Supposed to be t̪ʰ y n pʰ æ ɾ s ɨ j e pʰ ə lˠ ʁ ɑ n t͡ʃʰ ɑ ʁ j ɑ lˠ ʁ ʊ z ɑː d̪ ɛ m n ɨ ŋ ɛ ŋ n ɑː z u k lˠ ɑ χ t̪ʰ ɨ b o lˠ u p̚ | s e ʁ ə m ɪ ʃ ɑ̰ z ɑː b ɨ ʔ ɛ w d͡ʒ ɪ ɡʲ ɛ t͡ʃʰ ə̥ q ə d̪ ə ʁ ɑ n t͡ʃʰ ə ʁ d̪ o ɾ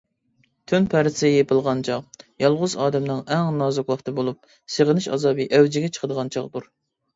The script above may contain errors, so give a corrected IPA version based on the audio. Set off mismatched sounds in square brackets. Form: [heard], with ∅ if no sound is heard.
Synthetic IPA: t̪ʰ y n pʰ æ ɾ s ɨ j e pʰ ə lˠ ʁ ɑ n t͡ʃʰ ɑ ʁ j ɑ lˠ ʁ ʊ z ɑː d̪ ɛ m n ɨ ŋ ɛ ŋ n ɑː z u k lˠ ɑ χ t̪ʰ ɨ b o lˠ u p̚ | s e ʁ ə [n] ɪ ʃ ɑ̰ z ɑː b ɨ ʔ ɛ w d͡ʒ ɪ ɡʲ ɛ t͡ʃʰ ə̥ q ə d̪ ə ʁ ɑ n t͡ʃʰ [ɑ] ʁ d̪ [u] ɾ